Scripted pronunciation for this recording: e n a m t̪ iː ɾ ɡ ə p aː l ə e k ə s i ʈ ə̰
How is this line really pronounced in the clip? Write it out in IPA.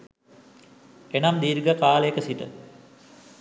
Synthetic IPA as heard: e n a m d̪ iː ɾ ɡ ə k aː l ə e k ə s i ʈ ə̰